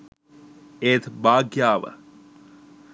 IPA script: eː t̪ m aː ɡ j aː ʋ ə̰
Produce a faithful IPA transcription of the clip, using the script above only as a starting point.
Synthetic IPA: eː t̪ b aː ɡ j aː ʋ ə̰